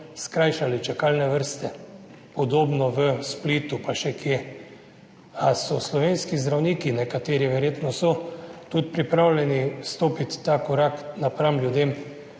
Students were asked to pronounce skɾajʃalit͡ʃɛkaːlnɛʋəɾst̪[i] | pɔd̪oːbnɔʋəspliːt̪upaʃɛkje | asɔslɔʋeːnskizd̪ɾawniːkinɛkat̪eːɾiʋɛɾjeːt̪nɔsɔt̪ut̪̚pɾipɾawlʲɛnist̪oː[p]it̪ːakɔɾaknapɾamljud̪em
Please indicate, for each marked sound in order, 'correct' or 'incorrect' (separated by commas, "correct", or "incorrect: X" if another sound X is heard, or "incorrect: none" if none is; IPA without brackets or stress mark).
incorrect: ɛ, correct